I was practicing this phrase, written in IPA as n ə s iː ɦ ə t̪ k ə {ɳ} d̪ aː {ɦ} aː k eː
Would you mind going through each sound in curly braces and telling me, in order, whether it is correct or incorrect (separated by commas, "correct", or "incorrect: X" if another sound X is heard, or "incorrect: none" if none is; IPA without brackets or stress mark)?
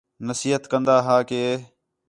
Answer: incorrect: n, correct